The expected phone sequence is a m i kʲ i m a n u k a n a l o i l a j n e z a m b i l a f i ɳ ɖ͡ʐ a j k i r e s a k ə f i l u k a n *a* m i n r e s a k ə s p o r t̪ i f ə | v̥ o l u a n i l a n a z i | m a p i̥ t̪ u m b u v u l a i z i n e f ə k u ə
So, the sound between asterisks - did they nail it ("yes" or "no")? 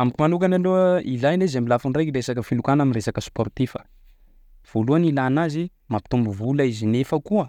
yes